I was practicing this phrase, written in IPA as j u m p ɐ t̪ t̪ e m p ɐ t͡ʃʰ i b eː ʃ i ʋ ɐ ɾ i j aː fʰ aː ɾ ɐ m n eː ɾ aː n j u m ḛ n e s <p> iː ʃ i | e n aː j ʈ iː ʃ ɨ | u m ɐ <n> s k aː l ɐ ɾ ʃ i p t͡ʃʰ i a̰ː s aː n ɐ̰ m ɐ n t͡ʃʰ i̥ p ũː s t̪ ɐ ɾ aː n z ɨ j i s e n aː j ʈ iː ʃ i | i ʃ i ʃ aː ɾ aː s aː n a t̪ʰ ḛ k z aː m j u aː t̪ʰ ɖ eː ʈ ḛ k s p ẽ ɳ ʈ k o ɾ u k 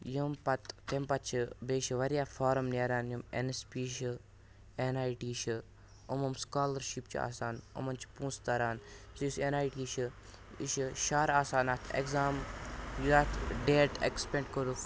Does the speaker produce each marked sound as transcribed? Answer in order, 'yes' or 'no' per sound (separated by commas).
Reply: yes, no